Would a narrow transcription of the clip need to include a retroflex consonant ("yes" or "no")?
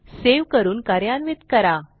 no